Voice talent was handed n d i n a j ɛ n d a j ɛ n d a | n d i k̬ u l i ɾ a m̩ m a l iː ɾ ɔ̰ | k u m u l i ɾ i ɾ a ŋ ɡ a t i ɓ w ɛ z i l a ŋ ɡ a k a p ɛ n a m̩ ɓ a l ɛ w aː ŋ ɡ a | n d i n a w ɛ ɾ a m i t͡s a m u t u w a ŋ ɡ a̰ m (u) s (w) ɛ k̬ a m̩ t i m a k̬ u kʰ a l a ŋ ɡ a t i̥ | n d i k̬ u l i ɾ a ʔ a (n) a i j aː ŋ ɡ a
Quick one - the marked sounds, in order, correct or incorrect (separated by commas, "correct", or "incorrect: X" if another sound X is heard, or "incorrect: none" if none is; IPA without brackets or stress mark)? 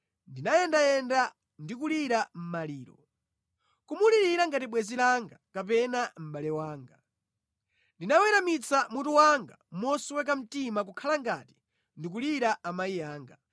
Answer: incorrect: ɔ, correct, incorrect: m